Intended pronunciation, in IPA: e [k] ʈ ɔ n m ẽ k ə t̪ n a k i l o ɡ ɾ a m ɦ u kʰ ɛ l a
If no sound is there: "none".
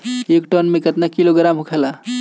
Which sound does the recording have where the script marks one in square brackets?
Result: k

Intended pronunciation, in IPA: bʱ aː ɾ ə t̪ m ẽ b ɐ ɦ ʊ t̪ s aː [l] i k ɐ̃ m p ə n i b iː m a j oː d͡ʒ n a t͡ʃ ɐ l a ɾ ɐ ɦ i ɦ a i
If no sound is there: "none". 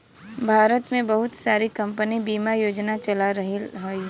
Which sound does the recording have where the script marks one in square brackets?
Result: ɾ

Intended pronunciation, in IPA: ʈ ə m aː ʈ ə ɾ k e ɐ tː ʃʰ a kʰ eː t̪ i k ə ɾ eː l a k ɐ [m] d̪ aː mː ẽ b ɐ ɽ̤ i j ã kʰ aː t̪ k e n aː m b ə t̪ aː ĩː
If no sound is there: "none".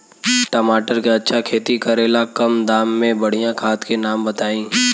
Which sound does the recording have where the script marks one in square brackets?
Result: m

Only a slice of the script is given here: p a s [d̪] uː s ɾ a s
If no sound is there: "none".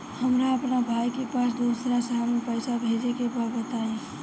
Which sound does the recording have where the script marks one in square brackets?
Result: d̪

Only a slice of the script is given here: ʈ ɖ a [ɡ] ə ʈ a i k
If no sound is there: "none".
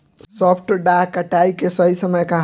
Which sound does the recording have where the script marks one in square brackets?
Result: k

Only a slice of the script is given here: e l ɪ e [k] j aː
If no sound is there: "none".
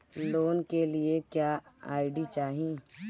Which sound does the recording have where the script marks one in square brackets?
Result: k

